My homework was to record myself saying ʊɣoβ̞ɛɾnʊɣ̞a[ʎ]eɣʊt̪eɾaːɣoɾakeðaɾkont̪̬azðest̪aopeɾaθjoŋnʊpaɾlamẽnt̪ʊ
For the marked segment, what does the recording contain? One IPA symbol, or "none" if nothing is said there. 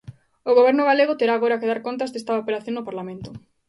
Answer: l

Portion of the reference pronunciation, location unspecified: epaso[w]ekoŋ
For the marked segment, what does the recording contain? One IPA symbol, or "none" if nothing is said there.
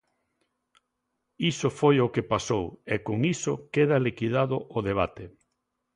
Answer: w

